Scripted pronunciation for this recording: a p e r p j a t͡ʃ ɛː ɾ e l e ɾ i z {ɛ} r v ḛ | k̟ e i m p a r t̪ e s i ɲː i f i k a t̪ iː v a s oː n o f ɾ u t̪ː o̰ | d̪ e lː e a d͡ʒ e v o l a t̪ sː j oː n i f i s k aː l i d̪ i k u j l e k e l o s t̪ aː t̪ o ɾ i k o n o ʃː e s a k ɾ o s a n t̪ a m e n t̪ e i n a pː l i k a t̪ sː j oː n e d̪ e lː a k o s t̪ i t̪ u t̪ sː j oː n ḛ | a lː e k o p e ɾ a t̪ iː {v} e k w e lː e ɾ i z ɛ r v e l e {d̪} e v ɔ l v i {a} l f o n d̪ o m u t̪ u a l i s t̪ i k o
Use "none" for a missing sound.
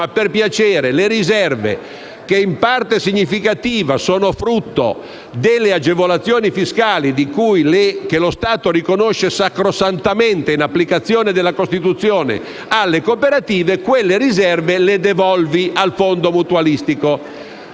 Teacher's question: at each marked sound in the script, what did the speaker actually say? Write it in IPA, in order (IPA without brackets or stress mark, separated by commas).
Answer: ɛ, v, d̪, a